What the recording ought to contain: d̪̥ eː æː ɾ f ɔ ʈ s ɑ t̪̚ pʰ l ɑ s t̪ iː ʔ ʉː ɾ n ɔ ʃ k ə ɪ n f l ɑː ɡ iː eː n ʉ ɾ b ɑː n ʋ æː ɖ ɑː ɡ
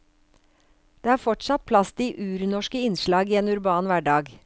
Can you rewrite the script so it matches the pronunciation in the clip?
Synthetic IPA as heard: d̪̥ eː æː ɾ f ɔ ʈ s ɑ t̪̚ pʰ l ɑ s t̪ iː ʔ ʉː ɾ n ɔ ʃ k ə ɪ n ʃ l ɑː ɡ iː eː n ʉ ɾ b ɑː n ʋ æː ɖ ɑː ɡ